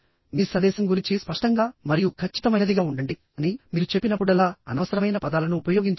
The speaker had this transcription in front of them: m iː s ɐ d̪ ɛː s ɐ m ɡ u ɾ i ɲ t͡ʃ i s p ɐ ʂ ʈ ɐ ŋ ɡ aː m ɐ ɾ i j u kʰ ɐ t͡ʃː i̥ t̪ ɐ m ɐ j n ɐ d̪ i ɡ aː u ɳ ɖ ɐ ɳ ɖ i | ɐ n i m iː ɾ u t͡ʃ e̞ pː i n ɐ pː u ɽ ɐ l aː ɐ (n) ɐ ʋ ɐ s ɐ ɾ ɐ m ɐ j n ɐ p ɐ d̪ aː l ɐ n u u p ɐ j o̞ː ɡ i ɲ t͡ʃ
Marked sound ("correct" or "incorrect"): correct